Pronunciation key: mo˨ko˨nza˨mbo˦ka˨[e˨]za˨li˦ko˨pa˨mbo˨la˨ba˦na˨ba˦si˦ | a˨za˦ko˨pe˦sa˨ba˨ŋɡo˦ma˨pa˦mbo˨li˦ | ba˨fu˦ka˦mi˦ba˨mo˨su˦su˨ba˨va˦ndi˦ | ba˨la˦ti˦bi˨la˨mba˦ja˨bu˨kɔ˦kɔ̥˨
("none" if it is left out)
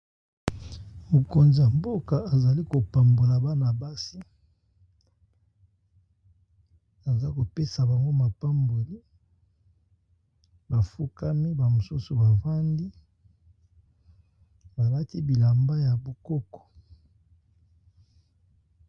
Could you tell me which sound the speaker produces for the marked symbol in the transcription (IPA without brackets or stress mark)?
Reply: a˨